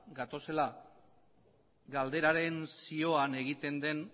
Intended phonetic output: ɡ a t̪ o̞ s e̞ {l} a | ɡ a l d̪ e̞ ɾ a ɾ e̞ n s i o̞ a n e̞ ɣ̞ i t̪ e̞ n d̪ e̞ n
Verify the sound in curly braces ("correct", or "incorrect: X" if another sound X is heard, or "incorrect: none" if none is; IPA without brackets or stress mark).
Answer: correct